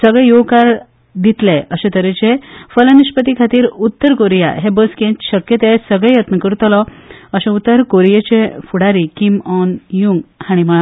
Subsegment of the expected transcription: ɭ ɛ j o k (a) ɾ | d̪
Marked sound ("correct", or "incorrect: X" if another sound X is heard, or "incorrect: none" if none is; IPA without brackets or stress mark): correct